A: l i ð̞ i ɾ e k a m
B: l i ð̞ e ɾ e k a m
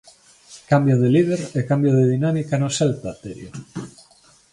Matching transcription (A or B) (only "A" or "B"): B